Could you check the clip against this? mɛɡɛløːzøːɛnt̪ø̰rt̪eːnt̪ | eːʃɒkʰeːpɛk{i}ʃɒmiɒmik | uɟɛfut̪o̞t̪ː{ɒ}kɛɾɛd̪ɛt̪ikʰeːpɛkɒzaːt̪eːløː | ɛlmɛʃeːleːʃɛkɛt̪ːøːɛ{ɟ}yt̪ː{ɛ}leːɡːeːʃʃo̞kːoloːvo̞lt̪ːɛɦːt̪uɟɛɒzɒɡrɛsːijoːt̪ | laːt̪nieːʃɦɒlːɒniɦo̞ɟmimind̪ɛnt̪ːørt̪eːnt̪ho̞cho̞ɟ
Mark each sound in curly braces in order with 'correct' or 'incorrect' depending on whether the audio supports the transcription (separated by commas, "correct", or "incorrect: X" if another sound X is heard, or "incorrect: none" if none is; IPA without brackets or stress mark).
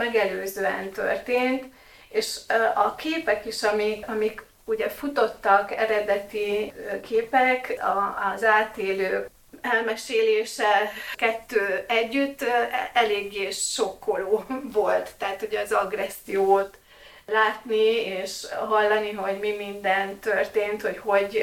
correct, correct, incorrect: ɟː, correct